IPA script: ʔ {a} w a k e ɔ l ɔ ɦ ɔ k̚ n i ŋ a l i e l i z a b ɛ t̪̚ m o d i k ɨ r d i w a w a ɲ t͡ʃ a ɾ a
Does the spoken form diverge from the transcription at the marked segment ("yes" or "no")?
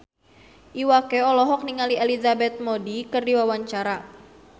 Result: yes